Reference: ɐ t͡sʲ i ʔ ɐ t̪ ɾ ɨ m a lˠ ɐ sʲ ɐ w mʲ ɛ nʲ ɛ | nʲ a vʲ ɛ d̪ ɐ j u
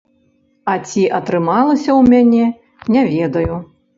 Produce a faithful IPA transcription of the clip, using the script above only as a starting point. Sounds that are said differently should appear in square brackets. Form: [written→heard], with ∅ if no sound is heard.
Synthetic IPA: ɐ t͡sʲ i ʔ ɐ t̪ ɾ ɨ m a lˠ ɐ sʲ ɐ w mʲ [ɛ→a] nʲ ɛ | nʲ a vʲ ɛ d̪ ɐ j u

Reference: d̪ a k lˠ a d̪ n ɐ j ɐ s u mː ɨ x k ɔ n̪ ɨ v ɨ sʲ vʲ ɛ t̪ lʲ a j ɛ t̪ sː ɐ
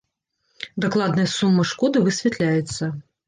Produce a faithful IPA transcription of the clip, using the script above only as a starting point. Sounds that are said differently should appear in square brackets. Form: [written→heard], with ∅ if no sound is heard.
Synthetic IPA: d̪ a k lˠ a d̪ n ɐ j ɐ s u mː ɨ [x→ʂ] k ɔ [n̪→d̪] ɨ v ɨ sʲ vʲ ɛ t̪ lʲ a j ɛ t̪ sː ɐ

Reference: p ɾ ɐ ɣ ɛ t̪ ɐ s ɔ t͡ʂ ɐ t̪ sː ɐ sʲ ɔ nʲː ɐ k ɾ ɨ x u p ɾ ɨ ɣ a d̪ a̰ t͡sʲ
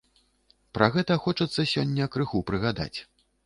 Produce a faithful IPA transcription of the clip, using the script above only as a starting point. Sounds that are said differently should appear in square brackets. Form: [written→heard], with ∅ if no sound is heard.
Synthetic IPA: p ɾ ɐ ɣ ɛ t̪ ɐ [s→x] ɔ t͡ʂ ɐ t̪ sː ɐ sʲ ɔ nʲː ɐ k ɾ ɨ x u p ɾ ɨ ɣ a d̪ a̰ t͡sʲ

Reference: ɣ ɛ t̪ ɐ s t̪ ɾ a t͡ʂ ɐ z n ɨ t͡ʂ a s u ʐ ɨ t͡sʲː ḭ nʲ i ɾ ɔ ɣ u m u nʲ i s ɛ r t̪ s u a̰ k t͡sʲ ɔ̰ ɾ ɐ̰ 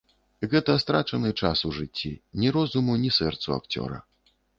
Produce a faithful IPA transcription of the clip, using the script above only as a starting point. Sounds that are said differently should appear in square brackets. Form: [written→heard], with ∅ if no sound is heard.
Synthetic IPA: ɣ ɛ t̪ ɐ s t̪ ɾ a t͡ʂ ɐ [z→∅] n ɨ t͡ʂ a s u ʐ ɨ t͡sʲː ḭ nʲ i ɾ ɔ [ɣ→z] u m u nʲ i s ɛ r t̪ s u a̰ k t͡sʲ ɔ̰ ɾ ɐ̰

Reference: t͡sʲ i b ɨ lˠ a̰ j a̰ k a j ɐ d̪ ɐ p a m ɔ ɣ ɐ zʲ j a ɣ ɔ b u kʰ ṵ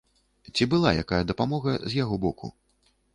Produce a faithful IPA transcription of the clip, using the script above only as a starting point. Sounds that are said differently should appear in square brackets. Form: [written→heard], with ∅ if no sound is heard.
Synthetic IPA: t͡sʲ i b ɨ lˠ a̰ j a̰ k a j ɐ d̪ ɐ p a m ɔ ɣ ɐ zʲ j a ɣ ɔ b [u→ɔ] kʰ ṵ

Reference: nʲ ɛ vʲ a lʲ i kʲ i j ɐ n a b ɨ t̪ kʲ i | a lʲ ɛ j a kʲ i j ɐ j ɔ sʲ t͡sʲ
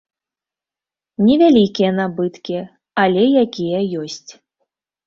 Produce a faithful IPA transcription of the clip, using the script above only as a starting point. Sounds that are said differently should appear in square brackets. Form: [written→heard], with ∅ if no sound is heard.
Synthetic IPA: nʲ ɛ vʲ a lʲ i kʲ i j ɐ n a b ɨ t̪ kʲ i | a lʲ ɛ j a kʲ i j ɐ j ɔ sʲ t͡sʲ

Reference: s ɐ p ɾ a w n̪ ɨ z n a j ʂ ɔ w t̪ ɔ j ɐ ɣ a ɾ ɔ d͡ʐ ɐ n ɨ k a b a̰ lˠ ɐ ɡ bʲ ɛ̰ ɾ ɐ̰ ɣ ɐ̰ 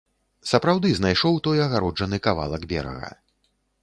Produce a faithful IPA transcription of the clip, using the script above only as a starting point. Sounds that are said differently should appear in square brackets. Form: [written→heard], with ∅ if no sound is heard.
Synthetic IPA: s ɐ p ɾ a w [n̪→d̪] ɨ z n a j ʂ ɔ w t̪ ɔ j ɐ ɣ a ɾ ɔ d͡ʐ ɐ n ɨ k a [b→v] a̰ lˠ ɐ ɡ bʲ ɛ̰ ɾ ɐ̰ ɣ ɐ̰

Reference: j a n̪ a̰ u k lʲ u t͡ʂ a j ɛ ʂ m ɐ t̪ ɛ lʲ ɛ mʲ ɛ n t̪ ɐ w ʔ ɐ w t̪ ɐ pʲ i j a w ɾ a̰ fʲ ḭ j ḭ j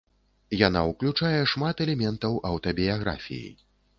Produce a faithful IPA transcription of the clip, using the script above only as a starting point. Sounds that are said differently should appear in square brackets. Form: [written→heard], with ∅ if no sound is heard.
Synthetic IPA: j a n̪ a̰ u k lʲ u t͡ʂ a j ɛ ʂ m [ɐ→a] t̪ ɛ lʲ ɛ mʲ ɛ n t̪ ɐ w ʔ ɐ w t̪ ɐ [pʲ→bʲ] i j a [w→ɣ] ɾ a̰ fʲ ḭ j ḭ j

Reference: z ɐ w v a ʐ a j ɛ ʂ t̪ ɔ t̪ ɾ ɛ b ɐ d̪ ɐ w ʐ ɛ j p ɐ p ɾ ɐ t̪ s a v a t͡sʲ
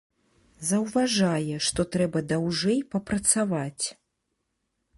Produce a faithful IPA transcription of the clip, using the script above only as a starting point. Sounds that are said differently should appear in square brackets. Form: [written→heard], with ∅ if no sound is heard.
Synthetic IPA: z ɐ w v a ʐ a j ɛ ʂ t̪ ɔ t̪ ɾ ɛ b ɐ d̪ [ɐ→a] w ʐ ɛ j p ɐ p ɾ ɐ t̪ s a v a t͡sʲ

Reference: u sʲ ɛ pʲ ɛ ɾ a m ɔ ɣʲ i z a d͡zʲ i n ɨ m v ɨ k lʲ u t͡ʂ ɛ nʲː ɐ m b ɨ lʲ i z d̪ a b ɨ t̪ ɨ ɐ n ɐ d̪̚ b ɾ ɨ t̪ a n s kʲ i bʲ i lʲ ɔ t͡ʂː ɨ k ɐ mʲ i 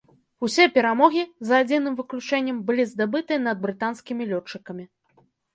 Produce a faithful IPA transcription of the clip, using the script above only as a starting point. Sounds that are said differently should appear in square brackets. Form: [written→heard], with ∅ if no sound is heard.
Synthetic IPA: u sʲ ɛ pʲ ɛ ɾ a m ɔ ɣʲ i z a d͡zʲ i n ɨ m v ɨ k lʲ u t͡ʂ ɛ nʲː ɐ m b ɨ lʲ i z d̪ a b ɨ t̪ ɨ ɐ n ɐ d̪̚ b ɾ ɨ t̪ a n s kʲ i [bʲ→mʲ] i lʲ ɔ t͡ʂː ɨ k ɐ mʲ i

